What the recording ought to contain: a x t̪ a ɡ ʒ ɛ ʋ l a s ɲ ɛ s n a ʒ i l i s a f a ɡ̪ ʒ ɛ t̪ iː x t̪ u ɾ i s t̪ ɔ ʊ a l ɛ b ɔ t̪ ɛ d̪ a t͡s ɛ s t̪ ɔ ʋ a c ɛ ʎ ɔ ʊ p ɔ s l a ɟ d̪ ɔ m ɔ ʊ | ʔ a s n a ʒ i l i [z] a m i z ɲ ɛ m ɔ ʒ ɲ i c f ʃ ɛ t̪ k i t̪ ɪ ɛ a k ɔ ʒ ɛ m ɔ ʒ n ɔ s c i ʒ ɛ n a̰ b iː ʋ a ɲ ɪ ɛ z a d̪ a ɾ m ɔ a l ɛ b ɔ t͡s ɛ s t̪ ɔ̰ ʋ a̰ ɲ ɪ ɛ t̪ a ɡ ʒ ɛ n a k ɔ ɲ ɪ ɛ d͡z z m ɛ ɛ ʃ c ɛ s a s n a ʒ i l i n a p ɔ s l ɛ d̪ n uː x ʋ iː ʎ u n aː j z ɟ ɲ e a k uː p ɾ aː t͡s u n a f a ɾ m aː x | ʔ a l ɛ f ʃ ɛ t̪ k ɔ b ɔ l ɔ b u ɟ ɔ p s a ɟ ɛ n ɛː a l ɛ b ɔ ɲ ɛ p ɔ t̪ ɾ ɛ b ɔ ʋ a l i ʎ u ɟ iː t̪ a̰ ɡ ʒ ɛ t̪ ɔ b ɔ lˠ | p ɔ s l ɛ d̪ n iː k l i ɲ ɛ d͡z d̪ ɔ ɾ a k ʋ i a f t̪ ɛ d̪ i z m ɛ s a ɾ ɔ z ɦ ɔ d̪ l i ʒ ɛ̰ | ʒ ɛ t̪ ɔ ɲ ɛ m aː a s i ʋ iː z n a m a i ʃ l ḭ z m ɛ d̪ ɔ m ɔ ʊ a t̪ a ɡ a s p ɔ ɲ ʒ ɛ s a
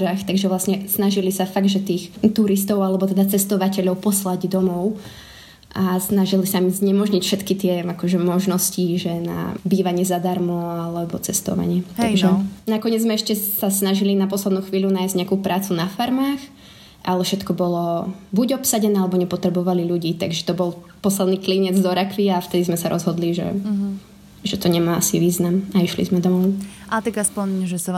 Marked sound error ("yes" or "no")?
yes